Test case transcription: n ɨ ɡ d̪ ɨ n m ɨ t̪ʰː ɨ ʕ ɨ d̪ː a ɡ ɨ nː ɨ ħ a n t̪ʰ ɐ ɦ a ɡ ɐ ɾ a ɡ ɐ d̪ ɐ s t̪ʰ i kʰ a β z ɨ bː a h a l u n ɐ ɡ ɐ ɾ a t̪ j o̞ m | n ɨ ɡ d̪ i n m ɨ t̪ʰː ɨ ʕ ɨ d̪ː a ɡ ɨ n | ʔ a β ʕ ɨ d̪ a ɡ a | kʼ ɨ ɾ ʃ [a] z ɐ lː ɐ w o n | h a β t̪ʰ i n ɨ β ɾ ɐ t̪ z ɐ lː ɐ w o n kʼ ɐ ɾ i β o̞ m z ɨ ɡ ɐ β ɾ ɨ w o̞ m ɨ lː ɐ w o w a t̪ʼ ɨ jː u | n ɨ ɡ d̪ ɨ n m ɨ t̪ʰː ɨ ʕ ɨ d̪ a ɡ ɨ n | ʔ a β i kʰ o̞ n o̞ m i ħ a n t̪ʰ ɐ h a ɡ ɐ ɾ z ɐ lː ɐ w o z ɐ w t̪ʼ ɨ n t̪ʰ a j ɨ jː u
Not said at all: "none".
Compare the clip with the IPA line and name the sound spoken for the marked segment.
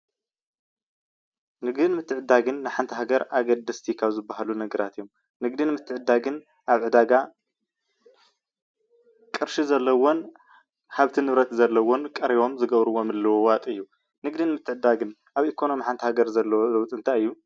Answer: i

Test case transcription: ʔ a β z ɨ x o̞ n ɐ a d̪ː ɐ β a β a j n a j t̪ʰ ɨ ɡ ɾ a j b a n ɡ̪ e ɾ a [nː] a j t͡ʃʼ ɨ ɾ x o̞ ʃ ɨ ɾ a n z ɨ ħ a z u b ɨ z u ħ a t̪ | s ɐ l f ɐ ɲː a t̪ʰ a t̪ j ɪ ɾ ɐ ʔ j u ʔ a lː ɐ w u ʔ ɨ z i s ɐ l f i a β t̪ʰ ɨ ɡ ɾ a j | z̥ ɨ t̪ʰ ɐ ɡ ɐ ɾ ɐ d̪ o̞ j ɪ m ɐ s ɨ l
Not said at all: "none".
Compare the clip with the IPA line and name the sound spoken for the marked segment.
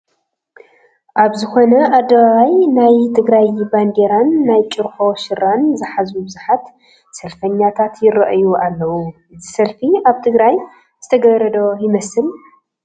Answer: nː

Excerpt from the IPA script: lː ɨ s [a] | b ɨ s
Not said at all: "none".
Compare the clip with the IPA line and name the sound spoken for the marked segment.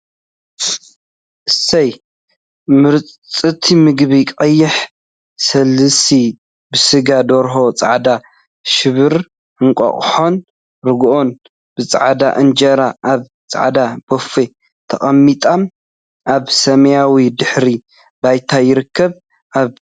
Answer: i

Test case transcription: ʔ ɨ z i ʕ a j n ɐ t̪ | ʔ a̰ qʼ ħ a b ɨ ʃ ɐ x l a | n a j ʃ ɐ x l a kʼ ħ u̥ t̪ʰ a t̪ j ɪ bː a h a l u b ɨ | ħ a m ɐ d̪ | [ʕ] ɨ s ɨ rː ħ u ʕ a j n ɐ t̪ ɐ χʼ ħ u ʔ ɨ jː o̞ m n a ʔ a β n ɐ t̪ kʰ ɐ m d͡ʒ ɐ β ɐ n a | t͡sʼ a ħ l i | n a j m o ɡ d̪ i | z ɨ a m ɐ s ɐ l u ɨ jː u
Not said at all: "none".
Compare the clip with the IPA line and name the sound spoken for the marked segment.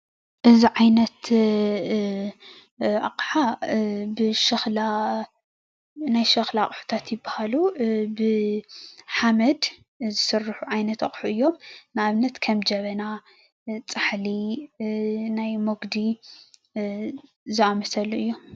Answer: z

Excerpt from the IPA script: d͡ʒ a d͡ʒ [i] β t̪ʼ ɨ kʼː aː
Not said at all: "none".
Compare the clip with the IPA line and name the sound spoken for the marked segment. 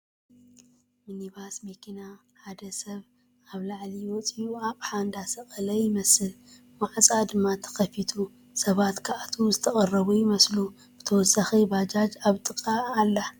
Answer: a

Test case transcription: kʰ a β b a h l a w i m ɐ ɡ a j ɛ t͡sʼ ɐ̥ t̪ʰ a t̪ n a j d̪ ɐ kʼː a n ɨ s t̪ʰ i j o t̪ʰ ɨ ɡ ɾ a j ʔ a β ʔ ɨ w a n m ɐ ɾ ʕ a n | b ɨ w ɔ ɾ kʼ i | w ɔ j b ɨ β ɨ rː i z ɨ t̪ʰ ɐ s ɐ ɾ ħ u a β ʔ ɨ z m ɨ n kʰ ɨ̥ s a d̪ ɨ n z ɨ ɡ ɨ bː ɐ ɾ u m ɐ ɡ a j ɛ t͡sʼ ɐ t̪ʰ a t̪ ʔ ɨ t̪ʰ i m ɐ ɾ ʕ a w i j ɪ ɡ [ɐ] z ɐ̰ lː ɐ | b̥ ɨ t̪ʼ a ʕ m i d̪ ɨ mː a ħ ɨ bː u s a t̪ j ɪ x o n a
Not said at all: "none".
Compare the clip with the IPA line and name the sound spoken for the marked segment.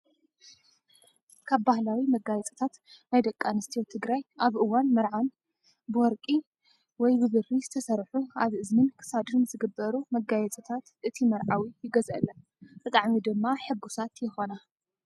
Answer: ɐ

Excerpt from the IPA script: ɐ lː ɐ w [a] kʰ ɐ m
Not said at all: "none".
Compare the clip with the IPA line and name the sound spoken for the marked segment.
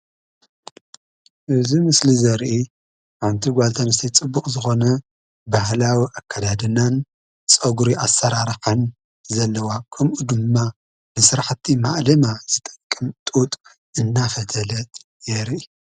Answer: a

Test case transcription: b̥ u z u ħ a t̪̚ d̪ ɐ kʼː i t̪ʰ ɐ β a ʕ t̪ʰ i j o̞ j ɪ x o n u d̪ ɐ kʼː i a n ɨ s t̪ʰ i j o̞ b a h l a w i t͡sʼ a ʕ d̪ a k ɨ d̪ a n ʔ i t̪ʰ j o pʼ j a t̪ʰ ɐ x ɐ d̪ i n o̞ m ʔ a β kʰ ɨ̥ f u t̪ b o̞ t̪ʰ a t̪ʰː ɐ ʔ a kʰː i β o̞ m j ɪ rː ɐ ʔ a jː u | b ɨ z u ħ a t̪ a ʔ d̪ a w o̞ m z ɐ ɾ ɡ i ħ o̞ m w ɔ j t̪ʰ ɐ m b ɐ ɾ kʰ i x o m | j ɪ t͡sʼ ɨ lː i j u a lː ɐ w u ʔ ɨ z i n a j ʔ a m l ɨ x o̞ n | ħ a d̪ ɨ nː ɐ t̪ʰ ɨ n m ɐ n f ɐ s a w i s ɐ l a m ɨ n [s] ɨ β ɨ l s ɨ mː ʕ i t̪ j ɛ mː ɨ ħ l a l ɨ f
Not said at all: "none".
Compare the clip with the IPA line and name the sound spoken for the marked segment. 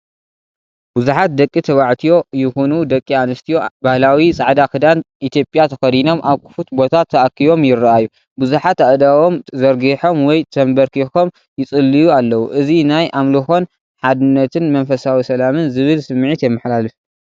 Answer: z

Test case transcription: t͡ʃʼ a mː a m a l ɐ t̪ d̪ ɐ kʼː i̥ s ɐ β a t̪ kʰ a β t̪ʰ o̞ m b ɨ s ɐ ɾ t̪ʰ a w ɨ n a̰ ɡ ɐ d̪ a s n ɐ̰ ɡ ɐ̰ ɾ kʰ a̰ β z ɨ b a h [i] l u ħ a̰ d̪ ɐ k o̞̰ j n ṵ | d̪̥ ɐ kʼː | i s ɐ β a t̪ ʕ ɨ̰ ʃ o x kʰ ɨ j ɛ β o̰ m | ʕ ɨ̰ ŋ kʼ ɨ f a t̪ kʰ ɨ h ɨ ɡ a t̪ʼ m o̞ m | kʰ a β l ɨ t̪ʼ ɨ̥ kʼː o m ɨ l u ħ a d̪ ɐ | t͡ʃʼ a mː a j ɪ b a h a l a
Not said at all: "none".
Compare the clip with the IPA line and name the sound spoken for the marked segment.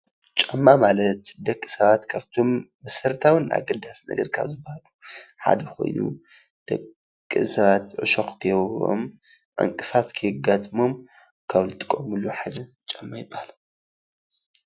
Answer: a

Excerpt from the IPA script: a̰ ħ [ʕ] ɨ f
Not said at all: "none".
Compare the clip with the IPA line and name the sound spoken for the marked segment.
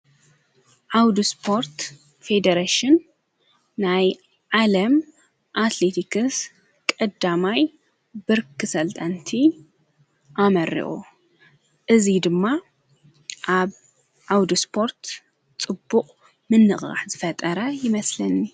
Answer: z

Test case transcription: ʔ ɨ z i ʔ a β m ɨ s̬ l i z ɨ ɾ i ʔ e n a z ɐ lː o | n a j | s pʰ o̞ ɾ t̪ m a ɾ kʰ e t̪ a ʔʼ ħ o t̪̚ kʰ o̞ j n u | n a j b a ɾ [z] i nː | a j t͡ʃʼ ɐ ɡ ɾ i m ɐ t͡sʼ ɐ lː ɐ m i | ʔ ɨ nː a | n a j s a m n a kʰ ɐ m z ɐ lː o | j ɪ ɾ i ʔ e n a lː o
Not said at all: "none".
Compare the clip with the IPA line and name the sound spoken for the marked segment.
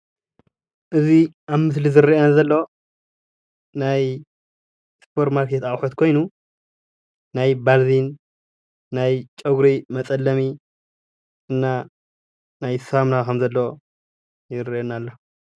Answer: z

